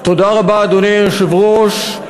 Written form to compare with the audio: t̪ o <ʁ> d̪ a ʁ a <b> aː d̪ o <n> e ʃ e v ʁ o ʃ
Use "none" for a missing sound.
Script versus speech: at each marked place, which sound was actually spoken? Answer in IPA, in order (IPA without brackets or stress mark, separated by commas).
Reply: none, b, n